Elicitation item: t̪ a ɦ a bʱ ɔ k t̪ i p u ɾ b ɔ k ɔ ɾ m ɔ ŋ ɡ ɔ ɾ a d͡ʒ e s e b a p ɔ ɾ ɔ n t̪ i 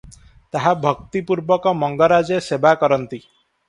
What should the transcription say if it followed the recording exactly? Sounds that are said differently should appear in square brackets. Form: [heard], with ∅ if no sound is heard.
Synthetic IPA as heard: t̪ a ɦ a bʱ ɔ k t̪ i p u ɾ b ɔ k ɔ [∅] m ɔ ŋ ɡ ɔ ɾ a d͡ʒ e s e b a [k] ɔ ɾ ɔ n t̪ i